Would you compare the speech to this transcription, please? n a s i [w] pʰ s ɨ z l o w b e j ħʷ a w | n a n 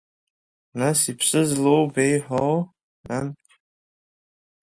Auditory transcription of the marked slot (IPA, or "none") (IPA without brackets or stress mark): none